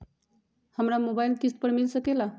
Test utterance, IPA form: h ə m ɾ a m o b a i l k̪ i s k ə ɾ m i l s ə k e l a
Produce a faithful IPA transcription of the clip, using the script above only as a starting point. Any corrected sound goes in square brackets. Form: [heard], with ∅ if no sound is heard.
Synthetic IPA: h ə m ɾ a m o b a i l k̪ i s [p] ə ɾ m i l s ə k e l a

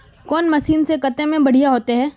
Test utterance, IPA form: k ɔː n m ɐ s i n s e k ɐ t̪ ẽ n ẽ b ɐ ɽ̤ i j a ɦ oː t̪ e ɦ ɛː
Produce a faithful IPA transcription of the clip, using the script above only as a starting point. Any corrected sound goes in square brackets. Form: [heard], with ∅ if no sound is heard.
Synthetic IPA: k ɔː n m ɐ s [iː] n s e k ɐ t̪ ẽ [m] ẽ b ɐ ɽ̤ i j a ɦ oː t̪ e ɦ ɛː

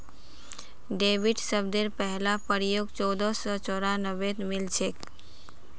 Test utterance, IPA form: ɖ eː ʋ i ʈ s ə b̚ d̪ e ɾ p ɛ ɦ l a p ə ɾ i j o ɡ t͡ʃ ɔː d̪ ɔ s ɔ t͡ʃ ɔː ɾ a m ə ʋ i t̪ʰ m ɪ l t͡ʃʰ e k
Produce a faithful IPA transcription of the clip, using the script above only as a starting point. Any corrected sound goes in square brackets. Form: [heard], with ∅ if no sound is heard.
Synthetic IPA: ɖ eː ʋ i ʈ s ə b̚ d̪ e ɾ p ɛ ɦ l a p ə ɾ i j o ɡ t͡ʃ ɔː d̪ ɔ s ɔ t͡ʃ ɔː ɾ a [n] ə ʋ [e] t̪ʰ m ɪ l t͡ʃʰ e k

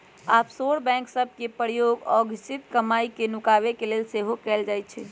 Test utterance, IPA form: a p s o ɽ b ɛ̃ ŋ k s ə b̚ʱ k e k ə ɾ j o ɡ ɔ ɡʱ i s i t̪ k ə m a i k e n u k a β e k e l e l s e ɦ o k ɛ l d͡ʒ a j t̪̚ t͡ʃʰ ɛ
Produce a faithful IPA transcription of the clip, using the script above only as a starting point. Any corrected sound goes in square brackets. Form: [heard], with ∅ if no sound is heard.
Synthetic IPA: a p s o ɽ b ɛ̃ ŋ k s ə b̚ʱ k e [p] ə ɾ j o ɡ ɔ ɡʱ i s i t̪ k ə m a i k e n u k a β e k e l e l s e ɦ o k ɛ l d͡ʒ a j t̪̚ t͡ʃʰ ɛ

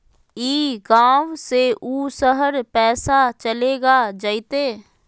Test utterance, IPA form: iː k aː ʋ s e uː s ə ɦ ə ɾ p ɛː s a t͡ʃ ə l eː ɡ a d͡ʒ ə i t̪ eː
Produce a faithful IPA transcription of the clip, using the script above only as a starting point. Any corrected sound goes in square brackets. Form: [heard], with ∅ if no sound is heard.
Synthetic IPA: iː [ɡ] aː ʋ s e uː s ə ɦ ə ɾ p ɛː s a t͡ʃ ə l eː ɡ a d͡ʒ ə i t̪ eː

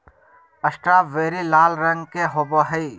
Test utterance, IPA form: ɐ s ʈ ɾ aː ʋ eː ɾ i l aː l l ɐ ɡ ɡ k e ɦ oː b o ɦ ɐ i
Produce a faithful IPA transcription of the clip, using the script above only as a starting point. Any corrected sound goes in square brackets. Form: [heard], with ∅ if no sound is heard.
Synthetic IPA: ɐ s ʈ ɾ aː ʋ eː ɾ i l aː l [ɾ] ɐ [ŋ] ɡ k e ɦ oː b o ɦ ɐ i

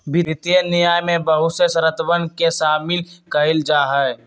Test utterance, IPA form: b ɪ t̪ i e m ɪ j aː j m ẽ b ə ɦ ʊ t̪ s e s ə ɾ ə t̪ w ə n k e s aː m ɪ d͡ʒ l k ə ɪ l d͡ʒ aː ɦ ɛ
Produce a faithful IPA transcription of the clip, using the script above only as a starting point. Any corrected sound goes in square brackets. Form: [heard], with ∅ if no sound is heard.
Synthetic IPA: b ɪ t̪ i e [n] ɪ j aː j m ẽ b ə ɦ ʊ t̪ s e s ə ɾ ə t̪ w ə n k e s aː m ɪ [∅] l k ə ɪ l d͡ʒ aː ɦ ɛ

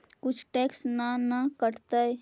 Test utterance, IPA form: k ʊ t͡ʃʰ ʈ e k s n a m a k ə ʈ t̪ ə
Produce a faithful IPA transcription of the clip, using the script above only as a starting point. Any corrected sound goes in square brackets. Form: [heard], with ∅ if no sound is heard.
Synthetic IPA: k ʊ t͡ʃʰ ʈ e k s n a [n] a k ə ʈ t̪ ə

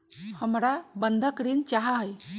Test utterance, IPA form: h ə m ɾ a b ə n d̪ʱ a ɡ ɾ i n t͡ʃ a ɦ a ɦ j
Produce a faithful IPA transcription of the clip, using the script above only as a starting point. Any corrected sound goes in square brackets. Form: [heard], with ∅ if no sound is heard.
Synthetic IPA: h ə m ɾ a b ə n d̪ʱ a [k] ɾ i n t͡ʃ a ɦ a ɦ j

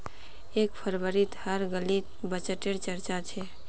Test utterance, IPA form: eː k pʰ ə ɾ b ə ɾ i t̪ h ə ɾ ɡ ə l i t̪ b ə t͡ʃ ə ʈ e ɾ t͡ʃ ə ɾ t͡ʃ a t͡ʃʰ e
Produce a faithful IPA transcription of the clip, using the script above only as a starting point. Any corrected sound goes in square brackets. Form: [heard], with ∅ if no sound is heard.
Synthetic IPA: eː k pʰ ə ɾ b ə ɾ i t̪ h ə ɾ ɡ ə l i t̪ b ə t͡ʃ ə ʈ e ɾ t͡ʃ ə ɾ t͡ʃ a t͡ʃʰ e

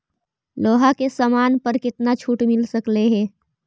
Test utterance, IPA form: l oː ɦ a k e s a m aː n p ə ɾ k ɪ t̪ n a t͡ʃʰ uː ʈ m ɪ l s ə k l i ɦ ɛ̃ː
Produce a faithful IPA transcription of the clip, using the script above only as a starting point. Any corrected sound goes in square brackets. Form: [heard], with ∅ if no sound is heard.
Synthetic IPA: l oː ɦ a k e s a m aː n p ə ɾ k ɪ t̪ n a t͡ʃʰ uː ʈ m ɪ l s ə k l [e] ɦ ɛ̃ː

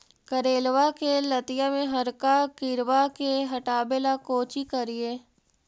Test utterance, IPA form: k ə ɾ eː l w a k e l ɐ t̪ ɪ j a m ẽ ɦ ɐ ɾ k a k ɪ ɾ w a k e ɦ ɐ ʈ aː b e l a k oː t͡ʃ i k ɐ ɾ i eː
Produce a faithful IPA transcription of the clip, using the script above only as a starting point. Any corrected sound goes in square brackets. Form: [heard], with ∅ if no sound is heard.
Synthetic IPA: k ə ɾ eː l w a k e l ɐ t̪ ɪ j a m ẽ ɦ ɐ ɾ k a k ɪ ɾ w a k e ɦ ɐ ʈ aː b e l a k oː t͡ʃ i k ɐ ɾ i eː

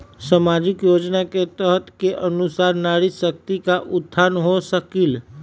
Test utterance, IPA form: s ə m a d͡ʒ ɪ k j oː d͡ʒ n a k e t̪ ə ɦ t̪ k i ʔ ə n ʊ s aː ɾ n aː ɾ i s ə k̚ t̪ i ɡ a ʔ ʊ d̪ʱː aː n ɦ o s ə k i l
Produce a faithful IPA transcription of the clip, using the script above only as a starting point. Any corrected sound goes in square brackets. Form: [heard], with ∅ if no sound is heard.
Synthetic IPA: s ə m a d͡ʒ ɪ k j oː d͡ʒ n a k e t̪ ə ɦ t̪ k [e] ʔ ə n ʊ s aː ɾ n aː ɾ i s ə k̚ t̪ i [k] a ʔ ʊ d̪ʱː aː n ɦ o s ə k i l

